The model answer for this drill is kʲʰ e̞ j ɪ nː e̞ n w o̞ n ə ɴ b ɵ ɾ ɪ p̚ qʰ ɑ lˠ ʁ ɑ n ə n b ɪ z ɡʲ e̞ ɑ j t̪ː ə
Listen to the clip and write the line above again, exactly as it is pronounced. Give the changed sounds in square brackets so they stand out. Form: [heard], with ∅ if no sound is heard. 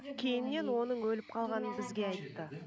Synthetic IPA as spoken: kʲʰ e̞ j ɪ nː e̞ n w o̞ n ə ɴ [w] ɵ [l] ɪ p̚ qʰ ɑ lˠ ʁ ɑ n ə n b ɪ z ɡʲ e̞ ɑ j t̪ː ə